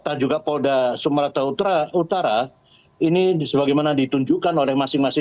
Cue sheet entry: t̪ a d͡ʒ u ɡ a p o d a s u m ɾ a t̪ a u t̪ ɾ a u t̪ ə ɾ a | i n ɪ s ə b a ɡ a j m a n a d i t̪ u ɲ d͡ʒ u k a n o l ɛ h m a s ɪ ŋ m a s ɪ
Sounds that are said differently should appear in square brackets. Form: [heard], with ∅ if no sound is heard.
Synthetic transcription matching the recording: t̪ a d͡ʒ u ɡ a p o d a s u m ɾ a t̪ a u t̪ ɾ a u t̪ [a] ɾ a | i n [i] s ə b a ɡ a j m a n a d i t̪ u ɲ d͡ʒ u k a n o l ɛ h m a s ɪ ŋ m a s ɪ